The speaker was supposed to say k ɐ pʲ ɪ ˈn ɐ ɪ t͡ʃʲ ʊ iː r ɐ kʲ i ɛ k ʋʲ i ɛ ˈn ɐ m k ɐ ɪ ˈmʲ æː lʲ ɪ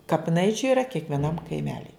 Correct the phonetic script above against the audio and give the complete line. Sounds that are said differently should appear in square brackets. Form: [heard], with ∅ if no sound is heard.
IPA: k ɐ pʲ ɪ ˈn ɐ ɪ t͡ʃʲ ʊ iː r ɐ kʲ i ɛ k ʋʲ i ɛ ˈn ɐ m k ɐ ɪ ˈmʲ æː lʲ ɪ